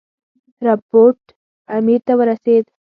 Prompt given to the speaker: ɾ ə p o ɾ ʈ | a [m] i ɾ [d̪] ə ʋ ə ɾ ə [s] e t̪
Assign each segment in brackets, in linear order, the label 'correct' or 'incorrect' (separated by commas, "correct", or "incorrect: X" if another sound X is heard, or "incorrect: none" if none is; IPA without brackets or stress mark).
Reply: correct, incorrect: t̪, correct